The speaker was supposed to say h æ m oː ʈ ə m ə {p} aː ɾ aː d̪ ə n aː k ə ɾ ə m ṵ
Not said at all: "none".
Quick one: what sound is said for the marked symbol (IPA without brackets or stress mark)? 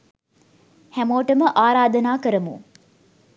ʔ